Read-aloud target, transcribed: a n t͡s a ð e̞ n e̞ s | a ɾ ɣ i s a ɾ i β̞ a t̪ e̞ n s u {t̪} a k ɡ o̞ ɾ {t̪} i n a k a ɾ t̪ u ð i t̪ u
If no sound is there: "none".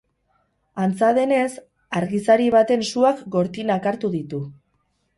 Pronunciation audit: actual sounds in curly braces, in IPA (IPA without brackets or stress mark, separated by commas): none, t̪